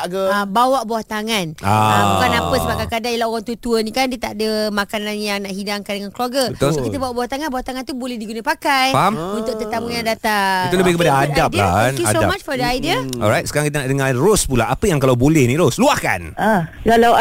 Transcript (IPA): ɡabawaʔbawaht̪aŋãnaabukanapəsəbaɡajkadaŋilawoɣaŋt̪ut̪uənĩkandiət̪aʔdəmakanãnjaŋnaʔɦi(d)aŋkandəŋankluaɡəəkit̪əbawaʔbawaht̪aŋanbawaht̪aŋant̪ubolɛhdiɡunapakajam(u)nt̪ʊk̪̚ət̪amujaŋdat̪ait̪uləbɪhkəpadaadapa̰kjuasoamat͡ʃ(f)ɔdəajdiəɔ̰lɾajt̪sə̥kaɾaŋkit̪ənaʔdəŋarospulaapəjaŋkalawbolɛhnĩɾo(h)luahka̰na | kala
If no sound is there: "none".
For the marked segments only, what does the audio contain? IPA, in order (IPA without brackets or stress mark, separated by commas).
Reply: d, u, f, s